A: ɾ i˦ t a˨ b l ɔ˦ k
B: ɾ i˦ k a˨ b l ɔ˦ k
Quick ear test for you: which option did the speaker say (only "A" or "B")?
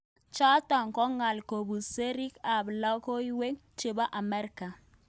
B